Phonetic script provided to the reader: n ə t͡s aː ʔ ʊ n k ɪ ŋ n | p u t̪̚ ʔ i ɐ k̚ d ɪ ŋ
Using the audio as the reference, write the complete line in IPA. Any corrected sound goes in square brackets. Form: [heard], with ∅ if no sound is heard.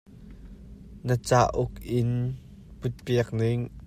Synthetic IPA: n ə t͡s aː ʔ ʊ [∅] k ɪ [∅] n | p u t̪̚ [p] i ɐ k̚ [n] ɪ ŋ